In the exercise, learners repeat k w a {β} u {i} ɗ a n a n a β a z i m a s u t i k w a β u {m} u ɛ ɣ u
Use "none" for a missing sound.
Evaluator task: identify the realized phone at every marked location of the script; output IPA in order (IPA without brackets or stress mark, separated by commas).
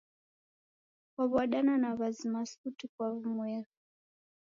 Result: β, a, m